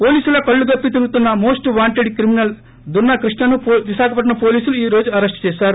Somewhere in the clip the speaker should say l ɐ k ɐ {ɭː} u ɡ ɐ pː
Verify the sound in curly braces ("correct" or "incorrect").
correct